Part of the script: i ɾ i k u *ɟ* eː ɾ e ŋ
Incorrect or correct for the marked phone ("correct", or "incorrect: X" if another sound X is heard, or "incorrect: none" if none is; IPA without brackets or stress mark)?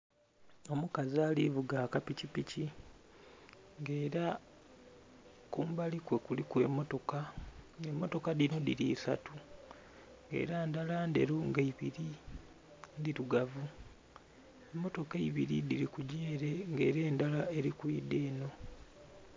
correct